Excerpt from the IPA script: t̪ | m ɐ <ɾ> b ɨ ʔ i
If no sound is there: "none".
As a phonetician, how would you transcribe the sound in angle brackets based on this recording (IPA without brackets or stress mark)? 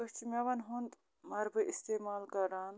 ɾ